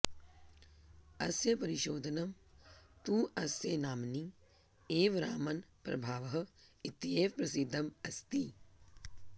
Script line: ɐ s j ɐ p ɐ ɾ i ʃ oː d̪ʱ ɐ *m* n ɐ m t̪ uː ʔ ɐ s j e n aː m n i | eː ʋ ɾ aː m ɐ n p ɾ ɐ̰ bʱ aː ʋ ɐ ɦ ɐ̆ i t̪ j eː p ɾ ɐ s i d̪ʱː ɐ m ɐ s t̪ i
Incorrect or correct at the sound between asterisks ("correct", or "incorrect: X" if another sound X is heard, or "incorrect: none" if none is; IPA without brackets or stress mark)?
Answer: incorrect: none